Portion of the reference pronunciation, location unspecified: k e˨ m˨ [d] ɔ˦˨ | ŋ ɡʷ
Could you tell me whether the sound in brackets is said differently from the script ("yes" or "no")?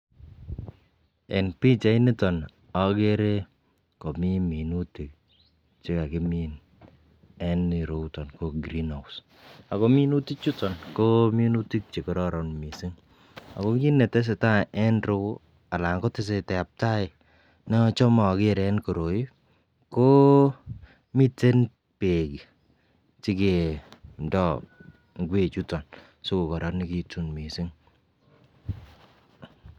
no